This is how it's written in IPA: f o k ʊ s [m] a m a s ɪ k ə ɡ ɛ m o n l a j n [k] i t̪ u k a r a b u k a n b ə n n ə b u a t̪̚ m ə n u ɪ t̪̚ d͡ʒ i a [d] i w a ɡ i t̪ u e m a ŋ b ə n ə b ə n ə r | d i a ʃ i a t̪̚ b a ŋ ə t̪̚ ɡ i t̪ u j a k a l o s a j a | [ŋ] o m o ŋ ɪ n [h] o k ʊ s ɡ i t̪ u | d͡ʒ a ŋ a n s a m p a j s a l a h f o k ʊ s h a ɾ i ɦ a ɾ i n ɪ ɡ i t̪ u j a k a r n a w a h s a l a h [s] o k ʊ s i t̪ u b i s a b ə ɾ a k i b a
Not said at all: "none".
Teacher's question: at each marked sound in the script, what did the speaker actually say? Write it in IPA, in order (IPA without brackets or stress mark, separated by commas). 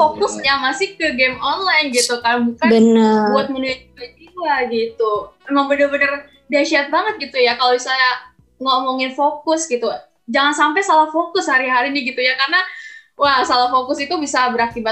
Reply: ɲ, ɡ, d͡ʒ, ŋ, f, f